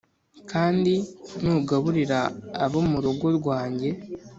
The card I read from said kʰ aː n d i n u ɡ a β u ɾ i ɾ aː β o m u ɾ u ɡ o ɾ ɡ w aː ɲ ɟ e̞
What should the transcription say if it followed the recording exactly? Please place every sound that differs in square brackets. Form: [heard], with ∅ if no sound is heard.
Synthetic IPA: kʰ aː n d i n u ɡ a β u ɾ i ɾ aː β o m u ɾ u ɡ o ɾ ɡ w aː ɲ ɟ e̞